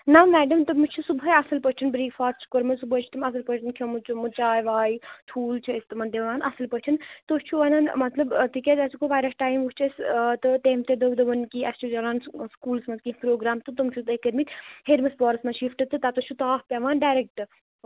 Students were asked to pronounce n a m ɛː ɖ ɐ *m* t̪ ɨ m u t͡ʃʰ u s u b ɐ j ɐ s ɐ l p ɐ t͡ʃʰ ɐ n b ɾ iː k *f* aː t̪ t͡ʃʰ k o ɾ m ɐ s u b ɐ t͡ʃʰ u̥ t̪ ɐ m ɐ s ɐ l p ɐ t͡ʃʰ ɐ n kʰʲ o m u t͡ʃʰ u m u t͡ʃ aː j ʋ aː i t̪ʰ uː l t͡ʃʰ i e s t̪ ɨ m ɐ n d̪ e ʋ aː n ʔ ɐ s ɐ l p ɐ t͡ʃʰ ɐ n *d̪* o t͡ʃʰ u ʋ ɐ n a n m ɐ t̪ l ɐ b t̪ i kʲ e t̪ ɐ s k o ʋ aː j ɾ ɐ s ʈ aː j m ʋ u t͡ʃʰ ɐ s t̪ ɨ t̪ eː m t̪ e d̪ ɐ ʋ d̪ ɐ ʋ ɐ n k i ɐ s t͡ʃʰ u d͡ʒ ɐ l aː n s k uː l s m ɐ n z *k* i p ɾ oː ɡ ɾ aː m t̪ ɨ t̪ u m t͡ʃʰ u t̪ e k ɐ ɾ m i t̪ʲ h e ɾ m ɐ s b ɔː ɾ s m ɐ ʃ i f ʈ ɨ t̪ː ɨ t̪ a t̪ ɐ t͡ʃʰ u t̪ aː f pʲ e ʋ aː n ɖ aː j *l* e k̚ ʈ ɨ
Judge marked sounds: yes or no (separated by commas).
yes, yes, no, yes, no